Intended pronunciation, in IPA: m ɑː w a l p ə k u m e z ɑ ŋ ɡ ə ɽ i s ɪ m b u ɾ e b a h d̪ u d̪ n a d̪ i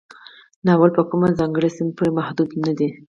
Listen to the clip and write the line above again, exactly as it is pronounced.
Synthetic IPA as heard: n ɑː w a l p ə k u m a z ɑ ŋ ɡ ə ɽ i s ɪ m p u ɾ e m a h d̪ u d̪ n a d̪ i